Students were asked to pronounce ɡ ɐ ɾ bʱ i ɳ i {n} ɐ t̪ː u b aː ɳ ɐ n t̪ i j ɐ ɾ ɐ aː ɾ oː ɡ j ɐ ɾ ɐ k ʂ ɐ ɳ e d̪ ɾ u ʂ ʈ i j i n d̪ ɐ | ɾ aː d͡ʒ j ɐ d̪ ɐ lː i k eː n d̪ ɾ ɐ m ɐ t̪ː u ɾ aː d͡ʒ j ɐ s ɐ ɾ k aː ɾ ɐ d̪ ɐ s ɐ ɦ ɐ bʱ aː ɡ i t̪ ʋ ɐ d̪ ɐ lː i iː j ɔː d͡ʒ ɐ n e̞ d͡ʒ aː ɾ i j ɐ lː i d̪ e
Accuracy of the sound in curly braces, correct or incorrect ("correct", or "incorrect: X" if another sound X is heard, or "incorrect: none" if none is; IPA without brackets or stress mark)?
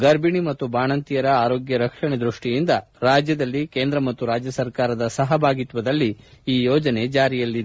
incorrect: m